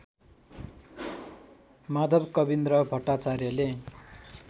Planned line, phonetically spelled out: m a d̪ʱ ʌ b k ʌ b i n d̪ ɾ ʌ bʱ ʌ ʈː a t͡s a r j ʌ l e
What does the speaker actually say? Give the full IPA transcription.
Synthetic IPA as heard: m a d̪ʱ ʌ b k ʌ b i n d̪ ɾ ʌ bʱ ʌ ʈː a t͡s a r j ʌ l e